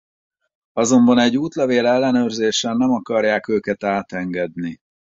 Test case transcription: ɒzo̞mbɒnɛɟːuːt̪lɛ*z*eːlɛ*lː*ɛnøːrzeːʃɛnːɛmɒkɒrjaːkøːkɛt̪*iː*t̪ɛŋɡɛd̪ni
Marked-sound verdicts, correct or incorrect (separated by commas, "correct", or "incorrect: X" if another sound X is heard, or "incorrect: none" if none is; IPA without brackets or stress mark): incorrect: v, correct, incorrect: aː